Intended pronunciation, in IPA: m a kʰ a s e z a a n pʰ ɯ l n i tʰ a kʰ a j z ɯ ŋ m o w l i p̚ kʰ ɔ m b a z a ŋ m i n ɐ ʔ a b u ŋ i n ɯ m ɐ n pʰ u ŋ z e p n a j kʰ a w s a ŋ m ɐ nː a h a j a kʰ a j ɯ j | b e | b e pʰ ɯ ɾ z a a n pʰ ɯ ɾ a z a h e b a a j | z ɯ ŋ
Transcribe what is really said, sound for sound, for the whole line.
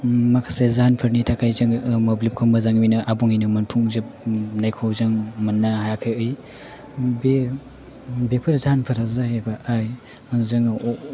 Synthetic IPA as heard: m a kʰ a s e z a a n pʰ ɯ ɾ n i tʰ a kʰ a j z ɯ ŋ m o b l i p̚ kʰ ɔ m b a z a ŋ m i n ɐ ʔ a b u ŋ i n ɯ m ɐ n pʰ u ŋ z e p n a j kʰ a w z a ŋ m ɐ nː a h a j a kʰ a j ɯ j | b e | b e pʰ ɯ ɾ z a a n pʰ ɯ ɾ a z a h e b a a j | z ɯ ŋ